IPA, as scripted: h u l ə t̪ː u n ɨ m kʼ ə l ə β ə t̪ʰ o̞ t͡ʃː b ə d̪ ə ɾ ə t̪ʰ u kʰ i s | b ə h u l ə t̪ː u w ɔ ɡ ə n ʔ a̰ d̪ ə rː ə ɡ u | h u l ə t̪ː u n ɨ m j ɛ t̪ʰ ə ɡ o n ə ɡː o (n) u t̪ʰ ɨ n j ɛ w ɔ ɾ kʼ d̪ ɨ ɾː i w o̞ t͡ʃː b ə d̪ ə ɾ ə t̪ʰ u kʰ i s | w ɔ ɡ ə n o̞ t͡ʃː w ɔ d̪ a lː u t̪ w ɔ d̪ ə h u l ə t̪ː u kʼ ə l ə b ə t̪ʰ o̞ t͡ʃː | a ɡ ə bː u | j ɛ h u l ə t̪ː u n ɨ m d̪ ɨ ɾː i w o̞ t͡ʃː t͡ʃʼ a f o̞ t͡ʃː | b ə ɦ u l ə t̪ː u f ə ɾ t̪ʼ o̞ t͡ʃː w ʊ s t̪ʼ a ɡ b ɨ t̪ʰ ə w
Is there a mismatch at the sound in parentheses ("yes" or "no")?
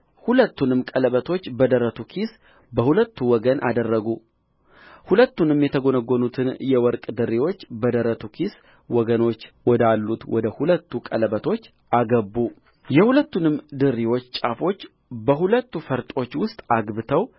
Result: no